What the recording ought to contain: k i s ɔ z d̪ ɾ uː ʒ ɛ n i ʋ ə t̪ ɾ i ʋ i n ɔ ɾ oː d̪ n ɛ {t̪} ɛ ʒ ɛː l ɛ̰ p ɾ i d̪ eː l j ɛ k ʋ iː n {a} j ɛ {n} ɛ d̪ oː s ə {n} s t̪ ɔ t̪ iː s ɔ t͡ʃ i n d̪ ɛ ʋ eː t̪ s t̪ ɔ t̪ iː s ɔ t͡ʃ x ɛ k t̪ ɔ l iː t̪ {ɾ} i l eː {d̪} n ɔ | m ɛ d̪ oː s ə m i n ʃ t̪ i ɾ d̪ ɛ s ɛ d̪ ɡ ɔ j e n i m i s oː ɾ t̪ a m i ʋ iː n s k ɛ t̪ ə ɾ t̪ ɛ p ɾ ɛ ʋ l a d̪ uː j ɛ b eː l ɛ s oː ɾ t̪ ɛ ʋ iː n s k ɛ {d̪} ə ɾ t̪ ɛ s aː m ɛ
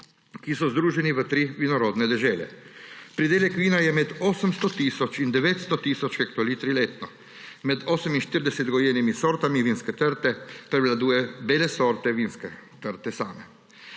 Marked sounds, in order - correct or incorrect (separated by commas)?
incorrect, correct, incorrect, incorrect, correct, incorrect, incorrect